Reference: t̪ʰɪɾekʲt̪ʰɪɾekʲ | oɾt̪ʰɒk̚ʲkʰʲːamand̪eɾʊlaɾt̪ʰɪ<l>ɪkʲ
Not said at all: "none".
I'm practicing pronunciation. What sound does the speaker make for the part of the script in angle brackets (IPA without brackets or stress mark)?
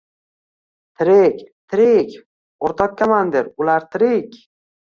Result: ɾ